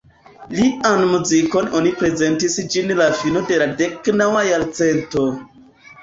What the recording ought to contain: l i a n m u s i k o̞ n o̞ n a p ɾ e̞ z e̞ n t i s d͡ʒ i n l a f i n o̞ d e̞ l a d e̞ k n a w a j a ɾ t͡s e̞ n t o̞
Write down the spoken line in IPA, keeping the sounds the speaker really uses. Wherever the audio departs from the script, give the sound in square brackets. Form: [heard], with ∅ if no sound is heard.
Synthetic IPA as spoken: l i a n m u [z] i k o̞ n o̞ n [i] p ɾ e̞ z e̞ n t i s d͡ʒ i n l a f i n o̞ d e̞ l a d e̞ k n a w a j a ɾ t͡s e̞ n t o̞